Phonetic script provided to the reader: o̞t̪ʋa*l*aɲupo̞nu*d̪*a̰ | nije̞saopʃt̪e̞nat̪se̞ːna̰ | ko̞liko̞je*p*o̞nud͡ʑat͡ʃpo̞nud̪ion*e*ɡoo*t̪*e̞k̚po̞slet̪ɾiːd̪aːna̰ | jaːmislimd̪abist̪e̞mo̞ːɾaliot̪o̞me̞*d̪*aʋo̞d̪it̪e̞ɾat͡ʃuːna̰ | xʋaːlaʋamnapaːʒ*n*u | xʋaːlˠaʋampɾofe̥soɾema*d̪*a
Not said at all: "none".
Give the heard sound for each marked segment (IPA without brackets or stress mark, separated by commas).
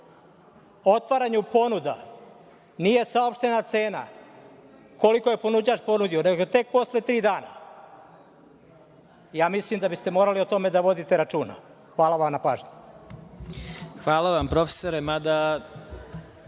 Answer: ɾ, d̪, p, e, t̪, d̪, ɲ, d̪